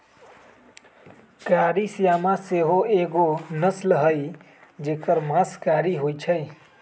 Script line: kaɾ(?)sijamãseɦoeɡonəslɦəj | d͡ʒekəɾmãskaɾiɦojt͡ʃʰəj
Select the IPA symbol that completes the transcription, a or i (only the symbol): i